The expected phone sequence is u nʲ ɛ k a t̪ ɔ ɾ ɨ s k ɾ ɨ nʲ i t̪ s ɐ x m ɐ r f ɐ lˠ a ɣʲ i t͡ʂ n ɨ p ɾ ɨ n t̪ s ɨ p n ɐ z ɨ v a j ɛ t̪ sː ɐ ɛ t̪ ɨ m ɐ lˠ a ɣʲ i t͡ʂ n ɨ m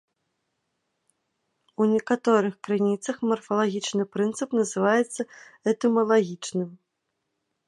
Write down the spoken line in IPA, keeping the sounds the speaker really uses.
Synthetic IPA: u nʲ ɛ k a t̪ ɔ ɾ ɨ x k ɾ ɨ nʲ i t̪ s ɐ x m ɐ r f ɐ lˠ a ɣʲ i t͡ʂ n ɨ p ɾ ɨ n t̪ s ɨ p n ɐ z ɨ v a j ɛ t̪ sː ɐ ɛ t̪ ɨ m ɐ lˠ a ɣʲ i t͡ʂ n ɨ m

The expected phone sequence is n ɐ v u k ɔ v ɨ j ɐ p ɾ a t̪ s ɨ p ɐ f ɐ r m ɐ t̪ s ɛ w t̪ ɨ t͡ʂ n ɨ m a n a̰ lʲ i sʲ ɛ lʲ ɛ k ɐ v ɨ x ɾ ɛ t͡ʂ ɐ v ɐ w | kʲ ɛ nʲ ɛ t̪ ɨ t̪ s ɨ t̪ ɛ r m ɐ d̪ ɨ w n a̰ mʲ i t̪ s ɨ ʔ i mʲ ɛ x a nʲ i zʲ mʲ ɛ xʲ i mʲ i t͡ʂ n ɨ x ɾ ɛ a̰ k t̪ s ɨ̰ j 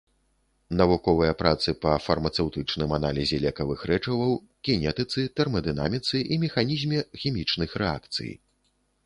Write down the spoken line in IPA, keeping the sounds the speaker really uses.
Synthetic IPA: n ɐ v u k ɔ v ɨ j ɐ p ɾ a t̪ s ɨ p ɐ f ɐ r m ɐ t̪ s ɛ w t̪ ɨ t͡ʂ n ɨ m a n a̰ lʲ i zʲ ɛ lʲ ɛ k ɐ v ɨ x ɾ ɛ t͡ʂ ɐ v ɐ w | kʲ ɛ nʲ ɛ t̪ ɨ t̪ s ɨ t̪ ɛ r m ɐ d̪ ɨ n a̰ mʲ i t̪ s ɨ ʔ i mʲ ɛ x a nʲ i zʲ mʲ ɛ xʲ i mʲ i t͡ʂ n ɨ x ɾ ɛ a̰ k t̪ s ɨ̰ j

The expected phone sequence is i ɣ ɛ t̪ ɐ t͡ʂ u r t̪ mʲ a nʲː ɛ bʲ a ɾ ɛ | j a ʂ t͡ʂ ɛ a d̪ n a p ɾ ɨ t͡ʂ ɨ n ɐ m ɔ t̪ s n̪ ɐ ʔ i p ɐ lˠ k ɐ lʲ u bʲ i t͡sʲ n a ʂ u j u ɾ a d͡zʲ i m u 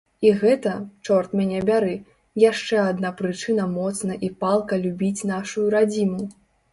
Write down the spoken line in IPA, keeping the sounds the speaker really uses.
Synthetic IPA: i ɣ ɛ t̪ ɐ t͡ʂ ɔ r t̪ mʲ a nʲ ɛ bʲ a ɾ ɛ | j a ʂ t͡ʂ ɛ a d̪ n a p ɾ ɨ t͡ʂ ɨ n ɐ m ɔ t̪ s n̪ ɐ ʔ i p a lˠ k ɐ lʲ u bʲ i t͡sʲ n a ʂ u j u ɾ a d͡zʲ i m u

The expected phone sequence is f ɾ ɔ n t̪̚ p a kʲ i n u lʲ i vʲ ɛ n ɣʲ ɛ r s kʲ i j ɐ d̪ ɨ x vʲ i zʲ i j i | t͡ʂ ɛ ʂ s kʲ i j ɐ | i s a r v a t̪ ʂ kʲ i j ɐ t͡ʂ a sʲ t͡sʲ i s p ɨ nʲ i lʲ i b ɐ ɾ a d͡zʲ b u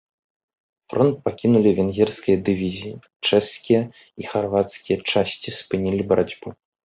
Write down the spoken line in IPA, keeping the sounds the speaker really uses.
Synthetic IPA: f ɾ ɔ n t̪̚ p a kʲ i n u lʲ i vʲ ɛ n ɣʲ ɛ r s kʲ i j ɐ d̪ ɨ vʲ i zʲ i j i | t͡ʂ ɛ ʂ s kʲ i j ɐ | i x a r v a t̪ s kʲ i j ɐ t͡ʂ a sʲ t͡sʲ i s p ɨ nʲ i lʲ i b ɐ ɾ a d͡zʲ b u

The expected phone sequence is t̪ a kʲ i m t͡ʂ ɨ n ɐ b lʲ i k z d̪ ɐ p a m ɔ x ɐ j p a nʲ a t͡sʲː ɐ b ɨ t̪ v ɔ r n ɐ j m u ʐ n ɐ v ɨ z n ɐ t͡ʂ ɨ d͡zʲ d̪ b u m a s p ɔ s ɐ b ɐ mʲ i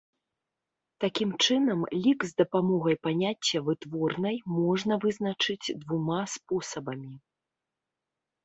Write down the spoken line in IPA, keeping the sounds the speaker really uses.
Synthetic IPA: t̪ a kʲ i m t͡ʂ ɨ n ɐ m lʲ i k z d̪ ɐ p a m ɔ ɣ ɐ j p a nʲ a t͡sʲː ɐ v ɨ t̪ v ɔ r n ɐ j m ɔ ʐ n ɐ v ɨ z n ɐ t͡ʂ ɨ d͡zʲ d̪ v u m a s p ɔ s ɐ b ɐ mʲ i

